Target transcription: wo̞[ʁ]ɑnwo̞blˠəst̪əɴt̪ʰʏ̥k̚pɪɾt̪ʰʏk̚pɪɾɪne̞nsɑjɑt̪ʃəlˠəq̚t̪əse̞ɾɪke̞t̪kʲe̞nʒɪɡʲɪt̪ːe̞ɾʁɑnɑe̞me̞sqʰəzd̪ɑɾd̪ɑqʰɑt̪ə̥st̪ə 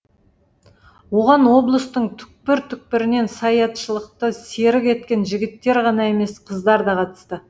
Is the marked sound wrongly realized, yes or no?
no